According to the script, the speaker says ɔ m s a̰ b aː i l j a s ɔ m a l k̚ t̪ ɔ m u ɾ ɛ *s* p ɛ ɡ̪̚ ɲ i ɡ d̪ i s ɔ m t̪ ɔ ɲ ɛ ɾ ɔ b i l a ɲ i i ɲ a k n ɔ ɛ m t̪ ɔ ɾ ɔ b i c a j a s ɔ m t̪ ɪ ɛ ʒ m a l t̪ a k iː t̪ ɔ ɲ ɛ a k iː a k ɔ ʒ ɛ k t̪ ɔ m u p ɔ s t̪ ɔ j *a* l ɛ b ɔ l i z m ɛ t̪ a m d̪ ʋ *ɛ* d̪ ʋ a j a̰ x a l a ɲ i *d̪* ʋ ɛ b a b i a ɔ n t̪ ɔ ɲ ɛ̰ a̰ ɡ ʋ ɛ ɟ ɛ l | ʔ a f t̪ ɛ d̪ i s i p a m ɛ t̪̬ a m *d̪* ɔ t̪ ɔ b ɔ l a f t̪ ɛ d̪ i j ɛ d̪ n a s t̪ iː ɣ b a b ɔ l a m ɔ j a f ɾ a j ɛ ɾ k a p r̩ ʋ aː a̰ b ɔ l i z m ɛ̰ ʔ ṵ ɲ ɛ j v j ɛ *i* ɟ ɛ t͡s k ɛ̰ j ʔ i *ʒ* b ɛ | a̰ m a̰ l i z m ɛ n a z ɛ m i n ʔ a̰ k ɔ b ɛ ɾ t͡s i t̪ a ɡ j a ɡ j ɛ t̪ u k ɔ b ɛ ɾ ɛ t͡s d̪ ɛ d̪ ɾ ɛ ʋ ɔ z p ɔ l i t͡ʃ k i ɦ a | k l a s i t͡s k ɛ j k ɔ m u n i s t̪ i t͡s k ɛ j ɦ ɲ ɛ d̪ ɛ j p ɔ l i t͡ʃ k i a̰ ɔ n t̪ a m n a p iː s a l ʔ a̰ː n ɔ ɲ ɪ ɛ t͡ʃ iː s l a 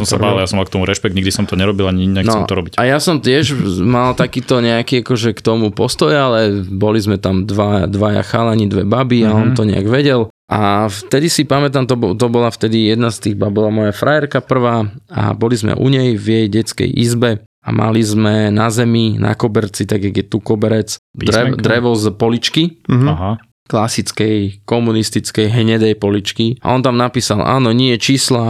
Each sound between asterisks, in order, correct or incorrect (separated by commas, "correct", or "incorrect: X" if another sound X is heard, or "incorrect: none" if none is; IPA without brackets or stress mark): incorrect: ʃ, correct, incorrect: a, correct, incorrect: t̪, incorrect: j, incorrect: z